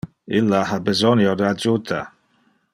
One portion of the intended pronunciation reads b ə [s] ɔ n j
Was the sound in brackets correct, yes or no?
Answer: no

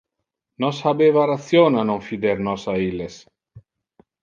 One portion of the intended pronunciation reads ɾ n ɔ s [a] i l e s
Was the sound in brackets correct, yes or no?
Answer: yes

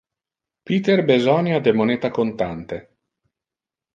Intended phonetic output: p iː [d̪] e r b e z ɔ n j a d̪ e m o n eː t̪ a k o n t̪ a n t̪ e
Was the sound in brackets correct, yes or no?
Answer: no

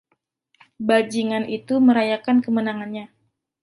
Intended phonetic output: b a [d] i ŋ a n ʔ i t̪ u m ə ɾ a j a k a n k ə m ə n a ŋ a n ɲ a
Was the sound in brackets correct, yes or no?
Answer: no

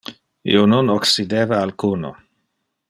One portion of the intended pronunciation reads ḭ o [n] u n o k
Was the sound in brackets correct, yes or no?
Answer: yes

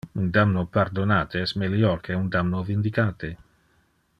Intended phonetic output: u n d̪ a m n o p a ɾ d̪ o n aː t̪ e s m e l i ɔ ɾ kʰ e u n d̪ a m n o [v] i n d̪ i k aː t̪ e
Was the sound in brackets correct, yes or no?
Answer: yes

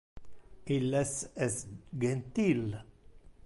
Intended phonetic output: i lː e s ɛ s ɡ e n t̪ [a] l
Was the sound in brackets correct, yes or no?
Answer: no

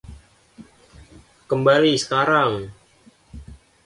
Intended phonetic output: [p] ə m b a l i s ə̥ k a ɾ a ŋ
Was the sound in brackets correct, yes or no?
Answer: no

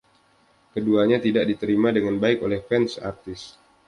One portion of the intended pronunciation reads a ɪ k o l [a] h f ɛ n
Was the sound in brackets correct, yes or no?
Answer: no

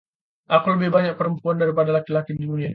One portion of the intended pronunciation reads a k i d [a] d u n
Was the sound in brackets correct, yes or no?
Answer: no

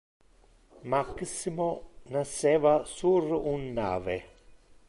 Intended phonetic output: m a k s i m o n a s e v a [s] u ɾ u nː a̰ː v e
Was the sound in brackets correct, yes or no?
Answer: yes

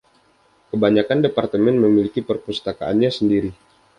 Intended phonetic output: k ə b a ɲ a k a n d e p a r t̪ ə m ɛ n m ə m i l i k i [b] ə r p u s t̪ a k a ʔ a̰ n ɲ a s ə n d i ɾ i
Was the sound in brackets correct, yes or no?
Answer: no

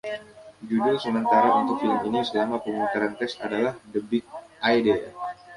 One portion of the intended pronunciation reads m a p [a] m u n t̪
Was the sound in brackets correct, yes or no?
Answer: no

